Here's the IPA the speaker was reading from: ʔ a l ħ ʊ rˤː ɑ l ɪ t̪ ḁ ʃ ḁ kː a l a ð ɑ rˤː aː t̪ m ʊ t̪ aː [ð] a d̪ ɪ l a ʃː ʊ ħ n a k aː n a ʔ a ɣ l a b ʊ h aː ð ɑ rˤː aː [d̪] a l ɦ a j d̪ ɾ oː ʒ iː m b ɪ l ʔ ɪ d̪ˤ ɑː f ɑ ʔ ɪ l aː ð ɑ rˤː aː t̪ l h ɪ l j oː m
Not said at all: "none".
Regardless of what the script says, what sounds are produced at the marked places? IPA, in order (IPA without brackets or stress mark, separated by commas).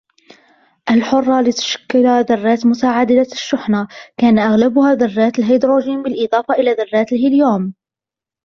ʕ, t̪